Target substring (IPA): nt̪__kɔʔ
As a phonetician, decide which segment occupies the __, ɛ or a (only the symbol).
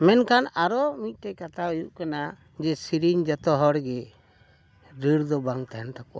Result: a